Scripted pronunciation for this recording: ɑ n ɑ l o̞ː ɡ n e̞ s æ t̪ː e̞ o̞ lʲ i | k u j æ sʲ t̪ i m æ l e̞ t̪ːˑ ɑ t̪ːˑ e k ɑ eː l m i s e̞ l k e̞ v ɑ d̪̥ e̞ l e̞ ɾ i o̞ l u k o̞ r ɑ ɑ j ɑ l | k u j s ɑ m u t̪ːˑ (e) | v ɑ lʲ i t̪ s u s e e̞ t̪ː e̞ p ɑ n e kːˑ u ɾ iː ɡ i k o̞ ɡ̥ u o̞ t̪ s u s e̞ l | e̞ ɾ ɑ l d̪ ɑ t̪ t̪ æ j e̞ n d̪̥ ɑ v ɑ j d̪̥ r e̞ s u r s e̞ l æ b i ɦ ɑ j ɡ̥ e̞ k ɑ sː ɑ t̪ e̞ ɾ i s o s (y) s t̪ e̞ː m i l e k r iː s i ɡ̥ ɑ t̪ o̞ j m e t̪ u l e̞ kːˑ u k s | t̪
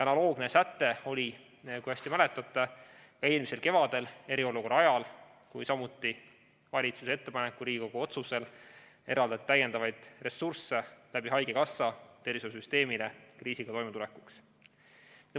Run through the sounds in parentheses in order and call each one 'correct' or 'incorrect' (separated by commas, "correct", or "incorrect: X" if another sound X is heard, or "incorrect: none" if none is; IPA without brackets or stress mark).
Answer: incorrect: i, correct